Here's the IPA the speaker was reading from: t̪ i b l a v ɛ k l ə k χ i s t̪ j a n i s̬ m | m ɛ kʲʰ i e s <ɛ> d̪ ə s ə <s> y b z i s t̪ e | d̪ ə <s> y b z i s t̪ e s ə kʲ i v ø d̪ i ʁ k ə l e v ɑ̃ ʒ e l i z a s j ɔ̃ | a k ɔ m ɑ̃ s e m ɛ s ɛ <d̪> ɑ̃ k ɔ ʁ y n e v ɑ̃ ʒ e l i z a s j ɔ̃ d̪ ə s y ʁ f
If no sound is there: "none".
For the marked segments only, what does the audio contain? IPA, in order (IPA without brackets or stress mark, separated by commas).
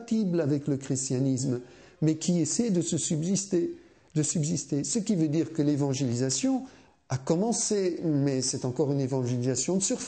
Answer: ɛ, s, s, t̪